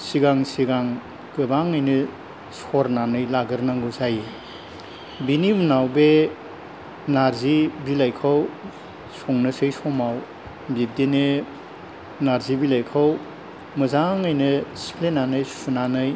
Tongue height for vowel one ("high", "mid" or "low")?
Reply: high